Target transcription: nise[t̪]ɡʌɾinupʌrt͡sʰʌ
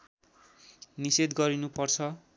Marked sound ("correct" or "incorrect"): incorrect